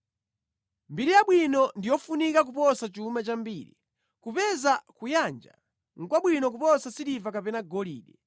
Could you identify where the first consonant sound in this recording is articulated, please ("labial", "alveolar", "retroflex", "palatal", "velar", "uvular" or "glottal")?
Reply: labial